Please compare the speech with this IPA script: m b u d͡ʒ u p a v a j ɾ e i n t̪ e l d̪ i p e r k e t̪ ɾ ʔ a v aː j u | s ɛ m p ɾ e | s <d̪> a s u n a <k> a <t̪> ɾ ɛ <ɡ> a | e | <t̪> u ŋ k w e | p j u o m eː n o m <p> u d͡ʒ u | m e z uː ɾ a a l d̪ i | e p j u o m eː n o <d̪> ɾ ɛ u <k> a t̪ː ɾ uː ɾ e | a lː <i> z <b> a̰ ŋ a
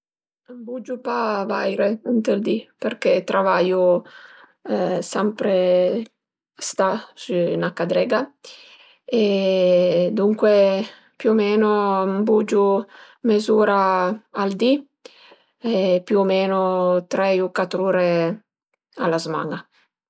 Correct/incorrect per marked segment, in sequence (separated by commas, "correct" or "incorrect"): incorrect, correct, incorrect, correct, incorrect, incorrect, incorrect, correct, incorrect, incorrect